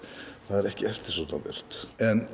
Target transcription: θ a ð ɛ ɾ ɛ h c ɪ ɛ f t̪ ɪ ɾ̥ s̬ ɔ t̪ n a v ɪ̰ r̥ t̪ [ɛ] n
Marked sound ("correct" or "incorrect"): correct